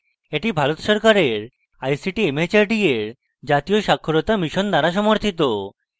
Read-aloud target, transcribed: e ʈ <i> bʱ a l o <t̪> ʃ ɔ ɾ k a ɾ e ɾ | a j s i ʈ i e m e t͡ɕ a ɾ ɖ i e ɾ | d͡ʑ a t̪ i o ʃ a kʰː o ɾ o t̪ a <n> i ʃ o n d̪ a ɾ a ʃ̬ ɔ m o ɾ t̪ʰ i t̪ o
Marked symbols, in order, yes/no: yes, yes, no

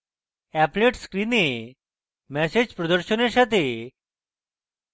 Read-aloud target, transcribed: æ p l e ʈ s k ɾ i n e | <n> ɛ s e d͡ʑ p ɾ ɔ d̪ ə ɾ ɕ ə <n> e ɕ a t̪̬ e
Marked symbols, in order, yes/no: no, yes

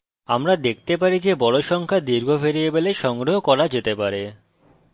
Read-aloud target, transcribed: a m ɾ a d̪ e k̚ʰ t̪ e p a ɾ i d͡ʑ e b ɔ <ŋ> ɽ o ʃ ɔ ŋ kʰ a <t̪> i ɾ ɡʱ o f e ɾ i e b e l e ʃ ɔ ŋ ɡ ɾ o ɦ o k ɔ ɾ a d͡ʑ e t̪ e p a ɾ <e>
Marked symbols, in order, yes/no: no, no, yes

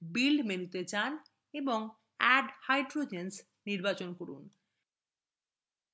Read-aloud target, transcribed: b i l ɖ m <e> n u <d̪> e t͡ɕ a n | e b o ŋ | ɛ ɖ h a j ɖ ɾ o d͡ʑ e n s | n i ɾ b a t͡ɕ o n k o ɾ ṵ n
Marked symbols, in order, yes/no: yes, no

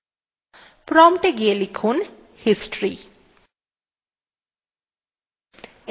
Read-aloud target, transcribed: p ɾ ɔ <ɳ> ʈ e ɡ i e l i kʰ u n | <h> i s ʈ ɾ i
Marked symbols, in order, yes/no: no, yes

